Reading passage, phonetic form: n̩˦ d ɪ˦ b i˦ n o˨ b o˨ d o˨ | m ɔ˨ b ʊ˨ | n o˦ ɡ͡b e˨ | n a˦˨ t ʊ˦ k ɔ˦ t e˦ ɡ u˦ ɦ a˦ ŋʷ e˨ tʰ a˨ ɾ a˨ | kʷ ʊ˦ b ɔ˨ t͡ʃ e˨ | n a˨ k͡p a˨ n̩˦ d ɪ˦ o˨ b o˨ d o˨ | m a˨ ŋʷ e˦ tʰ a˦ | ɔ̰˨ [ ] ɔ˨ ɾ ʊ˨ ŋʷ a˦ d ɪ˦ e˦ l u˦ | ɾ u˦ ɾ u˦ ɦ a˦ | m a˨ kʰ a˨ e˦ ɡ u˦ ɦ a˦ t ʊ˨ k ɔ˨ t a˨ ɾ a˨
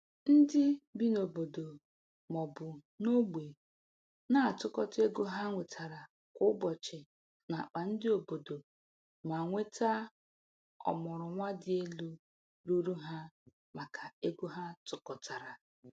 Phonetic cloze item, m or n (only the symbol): m